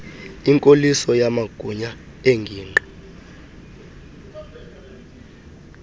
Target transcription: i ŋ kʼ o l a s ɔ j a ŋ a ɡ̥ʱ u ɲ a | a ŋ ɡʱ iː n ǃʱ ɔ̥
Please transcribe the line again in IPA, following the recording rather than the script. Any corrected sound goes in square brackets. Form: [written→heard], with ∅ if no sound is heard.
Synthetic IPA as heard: i ŋ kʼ o l [a→i] s ɔ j a [ŋ→m] a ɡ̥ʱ u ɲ a | [a→e] ŋ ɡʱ iː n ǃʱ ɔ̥